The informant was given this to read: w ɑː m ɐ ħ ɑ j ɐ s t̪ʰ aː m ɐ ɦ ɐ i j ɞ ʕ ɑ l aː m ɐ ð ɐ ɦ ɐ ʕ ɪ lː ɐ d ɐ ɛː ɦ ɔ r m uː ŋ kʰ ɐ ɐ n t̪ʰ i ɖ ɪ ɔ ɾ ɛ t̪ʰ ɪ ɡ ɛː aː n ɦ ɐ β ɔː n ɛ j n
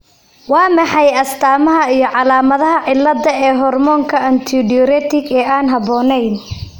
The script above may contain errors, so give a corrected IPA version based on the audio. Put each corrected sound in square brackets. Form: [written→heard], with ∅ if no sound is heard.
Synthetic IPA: w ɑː m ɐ ħ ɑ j ɐ s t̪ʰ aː m ɐ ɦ ɐ i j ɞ ʕ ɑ l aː m ɐ ð ɐ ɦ ɐ ʕ ɪ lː ɐ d ɐ ɛː ɦ ɔ r m [uː→ɔː] ŋ kʰ ɐ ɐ n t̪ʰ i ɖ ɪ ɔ ɾ ɛ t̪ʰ ɪ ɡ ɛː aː n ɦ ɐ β ɔː n ɛ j n